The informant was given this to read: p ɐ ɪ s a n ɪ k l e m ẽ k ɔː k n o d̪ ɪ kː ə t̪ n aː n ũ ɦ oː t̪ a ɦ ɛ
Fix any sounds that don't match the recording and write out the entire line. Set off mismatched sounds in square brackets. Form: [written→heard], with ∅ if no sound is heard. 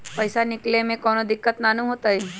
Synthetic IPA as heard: p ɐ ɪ s a n ɪ k l e m ẽ k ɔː [k→∅] n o d̪ ɪ kː ə t̪ n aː n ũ ɦ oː t̪ a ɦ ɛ